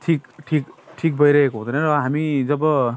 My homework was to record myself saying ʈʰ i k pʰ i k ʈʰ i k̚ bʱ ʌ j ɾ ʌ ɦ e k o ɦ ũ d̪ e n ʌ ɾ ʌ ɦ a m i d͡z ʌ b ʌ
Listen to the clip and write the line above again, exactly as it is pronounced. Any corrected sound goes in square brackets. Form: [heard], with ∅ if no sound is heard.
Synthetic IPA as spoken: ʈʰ i k [ʈʰ] i k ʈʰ i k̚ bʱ ʌ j ɾ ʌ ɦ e k o ɦ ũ d̪ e n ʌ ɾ ʌ ɦ a m i d͡z ʌ b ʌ